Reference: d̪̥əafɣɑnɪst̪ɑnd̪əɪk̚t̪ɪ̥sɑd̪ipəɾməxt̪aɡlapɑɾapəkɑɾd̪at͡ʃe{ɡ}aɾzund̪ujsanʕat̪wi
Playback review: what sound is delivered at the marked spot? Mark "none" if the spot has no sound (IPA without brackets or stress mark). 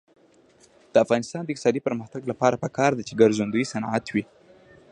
ɡ